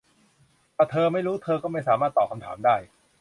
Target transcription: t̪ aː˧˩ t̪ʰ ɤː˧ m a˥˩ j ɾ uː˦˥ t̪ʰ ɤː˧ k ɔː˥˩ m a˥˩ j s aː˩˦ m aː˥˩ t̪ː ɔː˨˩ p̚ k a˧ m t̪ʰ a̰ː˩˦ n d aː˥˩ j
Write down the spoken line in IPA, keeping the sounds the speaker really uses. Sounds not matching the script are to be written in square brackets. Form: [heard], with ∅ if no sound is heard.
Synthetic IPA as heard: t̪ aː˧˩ t̪ʰ ɤː˧ m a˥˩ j ɾ uː˦˥ t̪ʰ ɤː˧ k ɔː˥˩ m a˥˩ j s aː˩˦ m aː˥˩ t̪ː ɔː˨˩ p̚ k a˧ m t̪ʰ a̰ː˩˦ [m] d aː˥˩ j